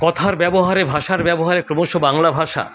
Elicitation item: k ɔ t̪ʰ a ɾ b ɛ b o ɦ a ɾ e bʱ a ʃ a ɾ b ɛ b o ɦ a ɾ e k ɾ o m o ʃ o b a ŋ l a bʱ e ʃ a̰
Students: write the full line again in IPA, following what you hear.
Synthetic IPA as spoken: k ɔ t̪ʰ a ɾ b ɛ b o ɦ a ɾ e bʱ a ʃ a ɾ b ɛ b o ɦ a ɾ e k ɾ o m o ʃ o b a ŋ l a bʱ a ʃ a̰